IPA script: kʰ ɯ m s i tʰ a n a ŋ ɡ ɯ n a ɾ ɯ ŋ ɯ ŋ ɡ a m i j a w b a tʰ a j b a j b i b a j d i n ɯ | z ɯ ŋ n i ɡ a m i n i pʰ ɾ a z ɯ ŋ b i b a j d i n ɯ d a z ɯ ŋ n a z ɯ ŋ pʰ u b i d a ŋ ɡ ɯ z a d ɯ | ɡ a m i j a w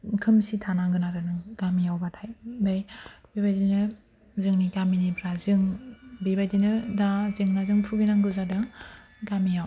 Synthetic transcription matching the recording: kʰ ɯ m s i tʰ a n a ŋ ɡ ɯ n a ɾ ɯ n ɯ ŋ ɡ a m i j a w b a tʰ a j b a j b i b a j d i n ɯ | z ɯ ŋ n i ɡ a m i n i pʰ ɾ a z ɯ ŋ b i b a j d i n ɯ d a z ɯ ŋ n a z ɯ ŋ pʰ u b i n a ŋ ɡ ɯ z a d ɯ | ɡ a m i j a w